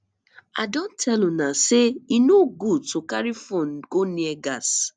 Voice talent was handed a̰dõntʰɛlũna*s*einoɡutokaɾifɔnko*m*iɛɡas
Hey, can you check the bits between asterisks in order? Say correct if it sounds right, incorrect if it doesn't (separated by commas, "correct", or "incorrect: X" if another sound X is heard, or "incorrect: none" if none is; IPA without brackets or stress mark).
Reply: correct, incorrect: n